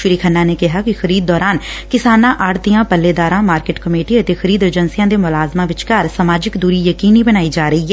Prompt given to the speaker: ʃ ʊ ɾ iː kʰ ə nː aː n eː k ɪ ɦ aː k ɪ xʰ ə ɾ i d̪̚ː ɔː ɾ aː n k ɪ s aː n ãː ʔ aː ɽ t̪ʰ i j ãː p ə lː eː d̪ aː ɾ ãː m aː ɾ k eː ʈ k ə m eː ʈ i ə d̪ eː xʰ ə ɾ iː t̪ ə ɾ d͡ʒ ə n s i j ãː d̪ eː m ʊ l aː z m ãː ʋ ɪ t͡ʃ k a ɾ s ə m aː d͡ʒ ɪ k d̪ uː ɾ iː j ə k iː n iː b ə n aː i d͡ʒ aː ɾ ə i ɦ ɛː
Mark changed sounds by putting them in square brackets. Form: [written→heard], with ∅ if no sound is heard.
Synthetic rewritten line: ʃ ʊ ɾ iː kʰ ə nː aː n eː k ɪ ɦ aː k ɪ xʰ ə ɾ [i→iː] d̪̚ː ɔː ɾ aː n k ɪ s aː n ãː ʔ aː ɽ [t̪ʰ→t̪] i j ãː p ə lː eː d̪ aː ɾ ãː m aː ɾ k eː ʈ k ə m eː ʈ i ə [d̪→t̪] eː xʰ ə ɾ iː [t̪→d̪] ə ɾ d͡ʒ ə n s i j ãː d̪ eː m ʊ l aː z m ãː ʋ ɪ t͡ʃ k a ɾ s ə m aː d͡ʒ ɪ k d̪ uː ɾ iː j ə k iː n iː b ə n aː i d͡ʒ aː ɾ ə i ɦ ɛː